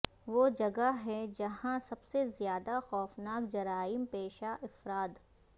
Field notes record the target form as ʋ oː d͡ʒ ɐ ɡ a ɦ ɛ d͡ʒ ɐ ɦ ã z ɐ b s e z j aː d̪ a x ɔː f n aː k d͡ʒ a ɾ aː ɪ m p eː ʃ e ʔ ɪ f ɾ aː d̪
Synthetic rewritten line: ʋ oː d͡ʒ ɐ ɡ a ɦ ɛ d͡ʒ ɐ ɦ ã s ɐ b s e z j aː d̪ a x ɔː f n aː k d͡ʒ ɐ ɾ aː ɪ m p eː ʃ a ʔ ɪ f ɾ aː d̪